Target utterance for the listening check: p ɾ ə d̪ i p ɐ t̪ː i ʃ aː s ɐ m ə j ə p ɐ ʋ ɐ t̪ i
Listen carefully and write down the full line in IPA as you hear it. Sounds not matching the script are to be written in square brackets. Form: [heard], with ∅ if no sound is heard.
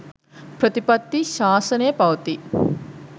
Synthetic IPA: p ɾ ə [t̪] i p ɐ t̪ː i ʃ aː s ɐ [n] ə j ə p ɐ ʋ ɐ t̪ i